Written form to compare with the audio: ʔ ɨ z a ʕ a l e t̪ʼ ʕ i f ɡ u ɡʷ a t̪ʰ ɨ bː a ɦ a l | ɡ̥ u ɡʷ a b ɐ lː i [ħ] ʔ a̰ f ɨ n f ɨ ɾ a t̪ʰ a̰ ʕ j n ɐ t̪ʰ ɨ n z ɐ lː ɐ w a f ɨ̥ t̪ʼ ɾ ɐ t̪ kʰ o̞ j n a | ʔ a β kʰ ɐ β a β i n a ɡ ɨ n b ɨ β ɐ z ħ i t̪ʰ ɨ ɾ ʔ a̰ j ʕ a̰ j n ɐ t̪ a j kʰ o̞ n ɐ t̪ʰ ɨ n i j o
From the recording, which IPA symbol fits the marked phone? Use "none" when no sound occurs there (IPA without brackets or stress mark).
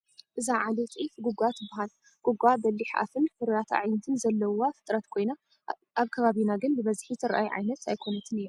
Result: ħ